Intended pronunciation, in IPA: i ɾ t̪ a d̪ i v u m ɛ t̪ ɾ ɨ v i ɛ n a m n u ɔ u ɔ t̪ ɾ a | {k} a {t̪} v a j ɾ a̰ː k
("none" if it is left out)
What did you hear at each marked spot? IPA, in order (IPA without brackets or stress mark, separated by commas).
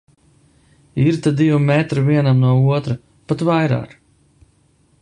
p, t̪